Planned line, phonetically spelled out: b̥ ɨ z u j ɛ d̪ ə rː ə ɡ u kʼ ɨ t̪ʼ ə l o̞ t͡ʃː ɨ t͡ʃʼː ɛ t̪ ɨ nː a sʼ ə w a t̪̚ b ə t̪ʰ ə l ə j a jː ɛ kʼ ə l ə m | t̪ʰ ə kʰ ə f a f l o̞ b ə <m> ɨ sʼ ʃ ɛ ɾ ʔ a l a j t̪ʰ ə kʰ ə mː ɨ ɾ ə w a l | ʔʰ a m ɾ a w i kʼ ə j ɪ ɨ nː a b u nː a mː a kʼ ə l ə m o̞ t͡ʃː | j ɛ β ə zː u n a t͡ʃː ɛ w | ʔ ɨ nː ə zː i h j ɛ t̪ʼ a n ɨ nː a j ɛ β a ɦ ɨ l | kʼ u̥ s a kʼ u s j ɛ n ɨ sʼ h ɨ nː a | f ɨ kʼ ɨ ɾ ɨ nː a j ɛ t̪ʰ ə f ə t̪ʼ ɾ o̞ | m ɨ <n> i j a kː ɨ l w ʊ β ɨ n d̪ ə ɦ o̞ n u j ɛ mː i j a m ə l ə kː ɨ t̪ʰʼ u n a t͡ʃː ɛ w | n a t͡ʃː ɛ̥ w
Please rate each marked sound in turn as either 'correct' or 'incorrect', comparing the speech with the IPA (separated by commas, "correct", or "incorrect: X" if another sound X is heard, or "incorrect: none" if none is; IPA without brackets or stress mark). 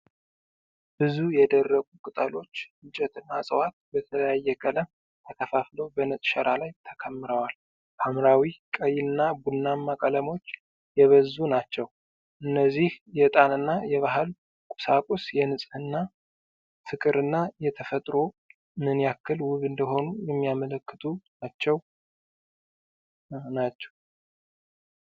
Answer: incorrect: n, correct